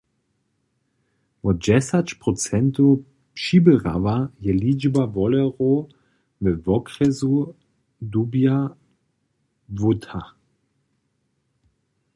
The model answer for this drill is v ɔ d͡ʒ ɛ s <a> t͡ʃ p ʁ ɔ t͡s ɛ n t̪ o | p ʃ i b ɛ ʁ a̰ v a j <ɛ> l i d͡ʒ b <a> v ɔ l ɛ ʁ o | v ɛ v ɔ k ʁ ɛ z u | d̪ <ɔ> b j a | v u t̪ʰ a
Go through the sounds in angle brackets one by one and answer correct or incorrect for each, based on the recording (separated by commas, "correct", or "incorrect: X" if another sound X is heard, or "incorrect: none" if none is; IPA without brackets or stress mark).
correct, correct, correct, incorrect: u